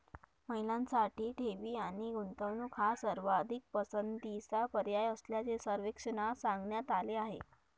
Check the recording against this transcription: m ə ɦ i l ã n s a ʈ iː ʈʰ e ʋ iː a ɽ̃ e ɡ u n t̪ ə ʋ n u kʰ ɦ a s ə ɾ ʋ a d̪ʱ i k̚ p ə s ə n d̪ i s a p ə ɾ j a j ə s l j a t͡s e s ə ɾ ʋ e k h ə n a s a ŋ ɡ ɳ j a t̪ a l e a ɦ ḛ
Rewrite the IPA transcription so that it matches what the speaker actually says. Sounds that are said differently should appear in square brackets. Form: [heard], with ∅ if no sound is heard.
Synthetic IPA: m ə ɦ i l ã n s a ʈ iː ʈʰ e ʋ iː a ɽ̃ [i] ɡ u n t̪ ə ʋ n u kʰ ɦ a s ə ɾ ʋ a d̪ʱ i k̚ p ə s ə n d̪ i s a p ə ɾ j a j ə s l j a t͡s e s ə ɾ ʋ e k [ʂ] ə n a s a ŋ ɡ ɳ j a t̪ a l e a ɦ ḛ